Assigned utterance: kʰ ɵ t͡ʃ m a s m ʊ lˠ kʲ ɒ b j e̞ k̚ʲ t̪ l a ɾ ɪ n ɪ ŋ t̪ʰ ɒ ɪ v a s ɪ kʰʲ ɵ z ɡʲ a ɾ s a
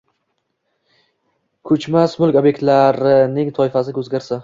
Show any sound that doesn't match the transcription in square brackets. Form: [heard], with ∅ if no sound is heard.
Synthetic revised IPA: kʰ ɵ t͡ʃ m a s m ʊ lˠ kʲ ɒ b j e̞ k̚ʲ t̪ l a ɾ ɪ n ɪ ŋ t̪ʰ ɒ ɪ [f] a s ɪ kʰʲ ɵ z ɡʲ a ɾ s a